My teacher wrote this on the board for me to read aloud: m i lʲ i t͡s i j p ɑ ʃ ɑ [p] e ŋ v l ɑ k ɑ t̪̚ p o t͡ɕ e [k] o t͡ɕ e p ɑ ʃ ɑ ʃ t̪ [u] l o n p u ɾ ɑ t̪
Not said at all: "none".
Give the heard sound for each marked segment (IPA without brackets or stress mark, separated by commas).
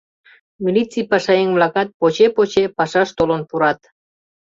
none, p, o